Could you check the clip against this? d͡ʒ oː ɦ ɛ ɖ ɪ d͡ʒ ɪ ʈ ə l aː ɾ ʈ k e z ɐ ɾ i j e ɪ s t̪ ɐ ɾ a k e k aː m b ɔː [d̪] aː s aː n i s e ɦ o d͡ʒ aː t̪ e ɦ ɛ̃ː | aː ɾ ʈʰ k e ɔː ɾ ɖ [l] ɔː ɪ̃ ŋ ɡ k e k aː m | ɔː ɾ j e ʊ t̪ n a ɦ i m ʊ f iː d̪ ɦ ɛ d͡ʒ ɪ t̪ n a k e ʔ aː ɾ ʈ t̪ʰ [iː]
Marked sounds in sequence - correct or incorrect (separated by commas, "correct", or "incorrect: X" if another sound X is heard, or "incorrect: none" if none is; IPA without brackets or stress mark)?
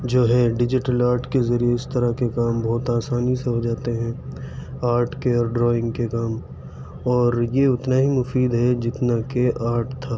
incorrect: t̪, incorrect: ɾ, incorrect: aː